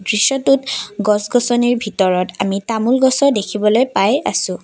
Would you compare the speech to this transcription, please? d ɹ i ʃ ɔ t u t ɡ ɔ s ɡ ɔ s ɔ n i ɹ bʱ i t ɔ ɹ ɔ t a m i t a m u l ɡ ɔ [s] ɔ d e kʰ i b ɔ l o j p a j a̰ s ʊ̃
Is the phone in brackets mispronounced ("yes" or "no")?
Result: no